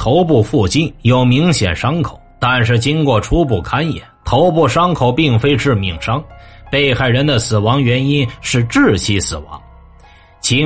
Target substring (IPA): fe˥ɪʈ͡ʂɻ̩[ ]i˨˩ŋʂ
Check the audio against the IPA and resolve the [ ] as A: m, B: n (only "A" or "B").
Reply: A